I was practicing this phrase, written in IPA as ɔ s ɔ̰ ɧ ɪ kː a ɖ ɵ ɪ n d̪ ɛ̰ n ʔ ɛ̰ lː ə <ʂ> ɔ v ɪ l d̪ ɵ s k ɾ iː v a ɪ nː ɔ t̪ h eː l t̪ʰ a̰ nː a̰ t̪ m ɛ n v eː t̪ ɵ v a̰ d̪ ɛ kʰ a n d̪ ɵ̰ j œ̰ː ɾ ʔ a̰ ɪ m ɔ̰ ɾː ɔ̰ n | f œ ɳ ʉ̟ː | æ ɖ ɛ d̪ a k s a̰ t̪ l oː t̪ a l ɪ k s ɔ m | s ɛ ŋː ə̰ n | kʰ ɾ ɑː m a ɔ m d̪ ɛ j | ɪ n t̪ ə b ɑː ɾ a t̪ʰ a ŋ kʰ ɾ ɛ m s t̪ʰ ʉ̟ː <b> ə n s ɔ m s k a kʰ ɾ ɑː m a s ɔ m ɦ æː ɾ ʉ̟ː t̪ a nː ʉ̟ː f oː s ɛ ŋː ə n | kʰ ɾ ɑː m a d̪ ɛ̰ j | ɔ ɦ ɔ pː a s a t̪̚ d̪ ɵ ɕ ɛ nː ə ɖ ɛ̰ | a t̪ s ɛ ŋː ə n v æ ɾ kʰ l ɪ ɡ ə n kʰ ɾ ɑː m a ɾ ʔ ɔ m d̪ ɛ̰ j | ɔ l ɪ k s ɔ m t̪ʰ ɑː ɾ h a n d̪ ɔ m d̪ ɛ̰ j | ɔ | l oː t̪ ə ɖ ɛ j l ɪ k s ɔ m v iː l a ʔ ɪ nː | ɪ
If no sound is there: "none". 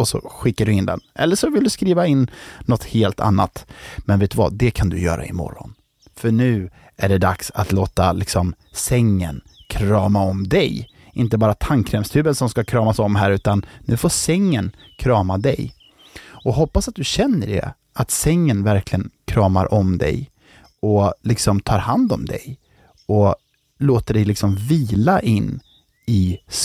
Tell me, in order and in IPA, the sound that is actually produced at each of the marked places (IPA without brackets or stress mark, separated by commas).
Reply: ʂ, b